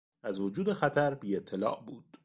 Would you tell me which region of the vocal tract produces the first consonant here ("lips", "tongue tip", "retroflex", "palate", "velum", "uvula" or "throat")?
tongue tip